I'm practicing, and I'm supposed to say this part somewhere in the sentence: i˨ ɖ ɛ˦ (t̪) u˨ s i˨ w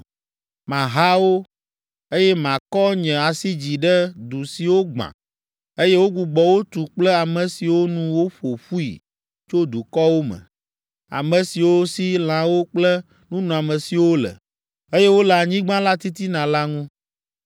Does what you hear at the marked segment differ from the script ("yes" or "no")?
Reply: yes